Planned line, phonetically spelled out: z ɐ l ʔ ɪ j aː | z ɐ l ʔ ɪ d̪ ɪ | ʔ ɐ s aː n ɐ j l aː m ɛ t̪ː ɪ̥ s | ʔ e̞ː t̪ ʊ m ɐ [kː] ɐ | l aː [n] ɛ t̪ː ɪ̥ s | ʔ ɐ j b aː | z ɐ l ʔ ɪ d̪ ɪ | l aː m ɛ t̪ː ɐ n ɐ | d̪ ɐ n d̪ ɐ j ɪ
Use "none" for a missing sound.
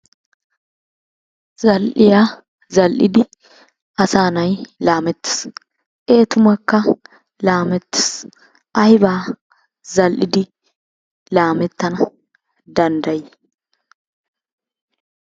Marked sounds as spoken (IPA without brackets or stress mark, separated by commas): kː, m